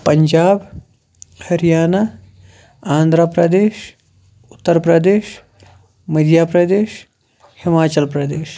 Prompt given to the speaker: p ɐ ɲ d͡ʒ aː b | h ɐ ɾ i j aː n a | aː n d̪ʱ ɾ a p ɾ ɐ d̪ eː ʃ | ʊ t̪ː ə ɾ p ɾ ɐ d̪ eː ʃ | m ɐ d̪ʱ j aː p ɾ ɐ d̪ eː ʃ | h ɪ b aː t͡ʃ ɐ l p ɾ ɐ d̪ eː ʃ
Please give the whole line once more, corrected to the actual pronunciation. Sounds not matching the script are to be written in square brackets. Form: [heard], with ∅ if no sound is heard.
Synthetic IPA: p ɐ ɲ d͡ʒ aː b | h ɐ ɾ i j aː n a | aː n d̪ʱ ɾ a p ɾ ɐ d̪ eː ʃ | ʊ t̪ː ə ɾ p ɾ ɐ d̪ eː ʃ | m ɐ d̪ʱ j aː p ɾ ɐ d̪ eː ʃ | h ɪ [m] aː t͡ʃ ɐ l p ɾ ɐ d̪ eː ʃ